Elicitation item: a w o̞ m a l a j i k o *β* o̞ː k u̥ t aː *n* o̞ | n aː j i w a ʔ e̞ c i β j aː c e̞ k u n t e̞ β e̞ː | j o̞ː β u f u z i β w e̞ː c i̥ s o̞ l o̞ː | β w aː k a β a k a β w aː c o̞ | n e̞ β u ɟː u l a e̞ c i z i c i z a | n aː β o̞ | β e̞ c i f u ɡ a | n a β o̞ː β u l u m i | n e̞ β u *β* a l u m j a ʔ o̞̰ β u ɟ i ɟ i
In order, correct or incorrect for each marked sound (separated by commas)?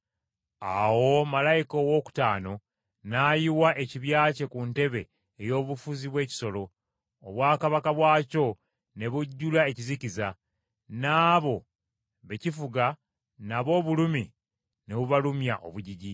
incorrect, correct, correct